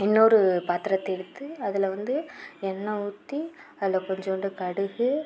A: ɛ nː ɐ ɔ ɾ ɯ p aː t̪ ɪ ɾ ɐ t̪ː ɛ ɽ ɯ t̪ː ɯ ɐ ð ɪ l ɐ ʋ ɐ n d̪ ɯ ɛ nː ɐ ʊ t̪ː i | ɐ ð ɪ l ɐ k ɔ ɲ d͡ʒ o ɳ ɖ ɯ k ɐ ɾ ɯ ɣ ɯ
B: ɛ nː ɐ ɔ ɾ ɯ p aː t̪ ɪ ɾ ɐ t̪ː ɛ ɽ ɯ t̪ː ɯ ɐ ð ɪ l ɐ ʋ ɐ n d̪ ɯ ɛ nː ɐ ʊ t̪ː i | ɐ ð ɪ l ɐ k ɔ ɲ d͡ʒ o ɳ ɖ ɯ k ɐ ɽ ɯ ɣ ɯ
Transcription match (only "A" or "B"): B